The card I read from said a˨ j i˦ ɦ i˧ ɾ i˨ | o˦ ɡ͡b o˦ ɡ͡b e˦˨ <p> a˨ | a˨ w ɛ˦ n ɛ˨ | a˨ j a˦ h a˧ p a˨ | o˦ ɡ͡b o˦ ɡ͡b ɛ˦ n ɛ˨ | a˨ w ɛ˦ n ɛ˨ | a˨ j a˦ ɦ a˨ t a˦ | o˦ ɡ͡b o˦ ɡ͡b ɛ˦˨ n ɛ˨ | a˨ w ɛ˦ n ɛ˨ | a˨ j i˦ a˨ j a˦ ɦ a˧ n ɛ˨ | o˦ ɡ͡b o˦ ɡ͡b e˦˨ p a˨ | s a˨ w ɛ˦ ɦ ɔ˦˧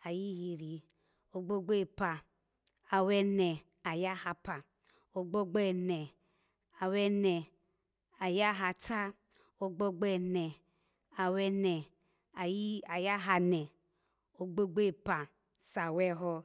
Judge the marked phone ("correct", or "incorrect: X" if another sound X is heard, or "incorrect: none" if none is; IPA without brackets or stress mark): correct